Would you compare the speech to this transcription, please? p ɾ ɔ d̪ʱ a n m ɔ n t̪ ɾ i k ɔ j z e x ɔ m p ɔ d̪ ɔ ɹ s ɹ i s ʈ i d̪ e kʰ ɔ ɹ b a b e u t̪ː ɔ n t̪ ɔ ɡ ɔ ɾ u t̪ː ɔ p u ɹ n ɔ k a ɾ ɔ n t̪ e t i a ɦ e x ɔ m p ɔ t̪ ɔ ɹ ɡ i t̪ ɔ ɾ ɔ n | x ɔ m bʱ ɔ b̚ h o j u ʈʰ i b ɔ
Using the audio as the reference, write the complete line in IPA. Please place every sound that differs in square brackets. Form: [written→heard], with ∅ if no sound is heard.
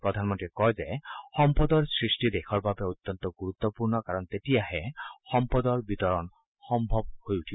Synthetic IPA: p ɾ ɔ d̪ʱ a n m ɔ n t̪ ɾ i k ɔ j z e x ɔ m p ɔ d̪ ɔ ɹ s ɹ i s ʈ i d̪ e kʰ ɔ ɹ b a b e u t̪ː ɔ n t̪ ɔ ɡ [ɔ→u] ɾ u t̪ː ɔ p u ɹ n ɔ k a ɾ ɔ n t̪ e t i a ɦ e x ɔ m p ɔ [t̪→d̪] ɔ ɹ [ɡ→b] i t̪ ɔ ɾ ɔ n | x ɔ m bʱ ɔ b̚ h o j u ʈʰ i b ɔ